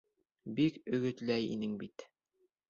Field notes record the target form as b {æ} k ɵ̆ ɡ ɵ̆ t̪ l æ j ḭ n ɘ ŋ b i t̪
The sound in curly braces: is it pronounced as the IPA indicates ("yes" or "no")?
no